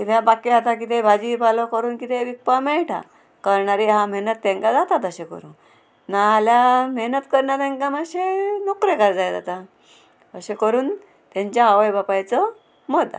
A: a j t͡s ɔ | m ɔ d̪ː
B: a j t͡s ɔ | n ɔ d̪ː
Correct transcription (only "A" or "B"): A